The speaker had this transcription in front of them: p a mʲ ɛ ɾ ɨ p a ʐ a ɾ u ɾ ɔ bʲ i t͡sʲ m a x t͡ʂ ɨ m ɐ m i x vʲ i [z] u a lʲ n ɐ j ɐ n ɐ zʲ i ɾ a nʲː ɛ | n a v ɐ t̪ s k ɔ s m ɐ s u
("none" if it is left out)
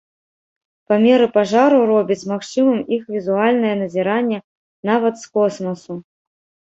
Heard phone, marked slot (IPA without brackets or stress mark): z